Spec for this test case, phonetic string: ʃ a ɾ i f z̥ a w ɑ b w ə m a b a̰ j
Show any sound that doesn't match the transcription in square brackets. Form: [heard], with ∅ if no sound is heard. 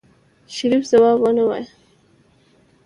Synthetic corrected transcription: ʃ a ɾ i f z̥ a w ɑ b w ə [n] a [w] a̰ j